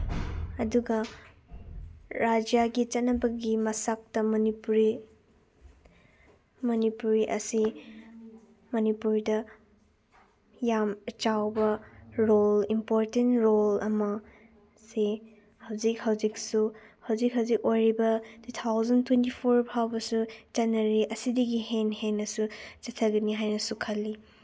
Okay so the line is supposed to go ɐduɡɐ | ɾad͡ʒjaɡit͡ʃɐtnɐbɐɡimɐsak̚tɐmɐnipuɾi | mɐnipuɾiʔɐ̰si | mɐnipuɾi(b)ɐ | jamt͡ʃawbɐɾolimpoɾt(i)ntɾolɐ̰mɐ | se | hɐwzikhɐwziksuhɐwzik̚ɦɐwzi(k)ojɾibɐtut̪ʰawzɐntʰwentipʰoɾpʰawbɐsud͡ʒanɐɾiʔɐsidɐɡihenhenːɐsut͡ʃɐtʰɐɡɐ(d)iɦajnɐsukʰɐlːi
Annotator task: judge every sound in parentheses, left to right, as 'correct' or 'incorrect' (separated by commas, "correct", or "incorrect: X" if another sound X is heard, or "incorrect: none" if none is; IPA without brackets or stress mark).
incorrect: d, incorrect: e, correct, incorrect: n